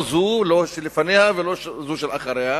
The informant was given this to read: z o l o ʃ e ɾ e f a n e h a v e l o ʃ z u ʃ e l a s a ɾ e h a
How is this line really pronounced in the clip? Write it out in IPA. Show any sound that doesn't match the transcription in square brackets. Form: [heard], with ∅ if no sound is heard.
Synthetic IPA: z [u] l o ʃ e [l] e f a n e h a v e l o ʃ z u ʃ e l a [χ] a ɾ e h a